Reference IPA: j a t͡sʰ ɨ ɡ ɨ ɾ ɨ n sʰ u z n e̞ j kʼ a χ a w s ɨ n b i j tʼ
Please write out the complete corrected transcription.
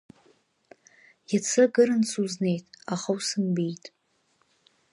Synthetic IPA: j a t͡sʰ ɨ ɡ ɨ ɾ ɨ n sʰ u z n e̞ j tʼ a χ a w s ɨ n b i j tʼ